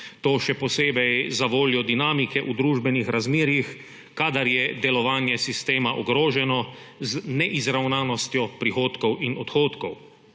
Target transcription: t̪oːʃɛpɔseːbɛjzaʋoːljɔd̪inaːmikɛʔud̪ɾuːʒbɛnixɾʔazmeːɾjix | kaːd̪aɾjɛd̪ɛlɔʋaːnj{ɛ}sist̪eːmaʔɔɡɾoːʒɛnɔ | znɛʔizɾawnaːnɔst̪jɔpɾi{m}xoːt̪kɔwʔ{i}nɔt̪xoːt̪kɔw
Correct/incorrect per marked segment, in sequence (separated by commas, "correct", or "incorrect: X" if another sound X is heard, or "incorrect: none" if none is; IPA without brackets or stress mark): correct, incorrect: none, correct